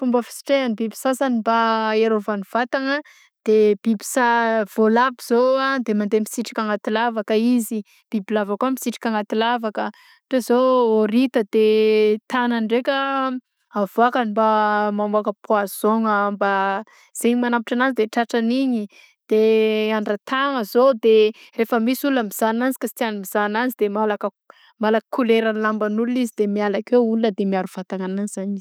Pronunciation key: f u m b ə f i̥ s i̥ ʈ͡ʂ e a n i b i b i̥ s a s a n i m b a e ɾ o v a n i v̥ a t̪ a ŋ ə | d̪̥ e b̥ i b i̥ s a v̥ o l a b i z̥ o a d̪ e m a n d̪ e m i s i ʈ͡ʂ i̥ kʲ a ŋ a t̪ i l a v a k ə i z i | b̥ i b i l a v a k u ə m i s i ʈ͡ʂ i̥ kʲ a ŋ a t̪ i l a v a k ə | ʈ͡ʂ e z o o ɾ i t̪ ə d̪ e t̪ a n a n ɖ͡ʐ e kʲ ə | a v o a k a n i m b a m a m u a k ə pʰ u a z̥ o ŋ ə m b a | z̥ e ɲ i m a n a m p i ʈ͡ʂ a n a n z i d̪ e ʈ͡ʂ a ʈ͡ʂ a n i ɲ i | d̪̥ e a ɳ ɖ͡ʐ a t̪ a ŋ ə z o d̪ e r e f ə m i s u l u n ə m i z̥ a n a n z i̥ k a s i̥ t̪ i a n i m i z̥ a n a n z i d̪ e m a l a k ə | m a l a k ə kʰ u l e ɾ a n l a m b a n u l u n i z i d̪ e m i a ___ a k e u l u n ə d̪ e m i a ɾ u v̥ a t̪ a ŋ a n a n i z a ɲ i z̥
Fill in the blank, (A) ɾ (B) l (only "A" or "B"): B